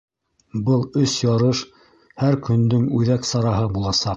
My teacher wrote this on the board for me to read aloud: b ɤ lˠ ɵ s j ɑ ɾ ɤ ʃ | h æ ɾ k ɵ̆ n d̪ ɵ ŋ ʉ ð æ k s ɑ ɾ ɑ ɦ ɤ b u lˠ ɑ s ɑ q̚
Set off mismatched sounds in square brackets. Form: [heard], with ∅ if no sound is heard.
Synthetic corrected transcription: b ɤ lˠ ɵ s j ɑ ɾ ɤ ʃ | h æ ɾ k ɵ̆ n d̪ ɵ ŋ ʉ ð æ k s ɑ ɾ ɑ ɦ ɤ b u lˠ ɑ s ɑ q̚